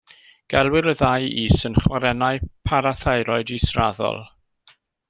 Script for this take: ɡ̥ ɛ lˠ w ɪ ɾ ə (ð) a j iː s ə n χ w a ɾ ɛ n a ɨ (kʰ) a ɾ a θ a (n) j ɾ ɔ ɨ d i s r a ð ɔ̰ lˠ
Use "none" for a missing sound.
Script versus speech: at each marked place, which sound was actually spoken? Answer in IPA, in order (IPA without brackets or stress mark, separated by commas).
ð, pʰ, none